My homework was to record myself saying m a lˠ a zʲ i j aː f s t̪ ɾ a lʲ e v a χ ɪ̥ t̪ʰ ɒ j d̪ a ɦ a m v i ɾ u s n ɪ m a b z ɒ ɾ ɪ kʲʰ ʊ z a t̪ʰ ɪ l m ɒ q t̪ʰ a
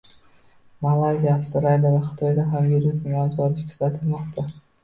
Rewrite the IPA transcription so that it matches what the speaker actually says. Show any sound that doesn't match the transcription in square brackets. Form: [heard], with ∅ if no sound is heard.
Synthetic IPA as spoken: m a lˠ a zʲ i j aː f s t̪ ɾ a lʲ [a] v a χ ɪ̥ t̪ʰ ɒ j d̪ a ɦ a m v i ɾ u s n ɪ [ŋ] a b z ɒ ɾ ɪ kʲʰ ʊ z a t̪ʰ ɪ l m ɒ q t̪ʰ a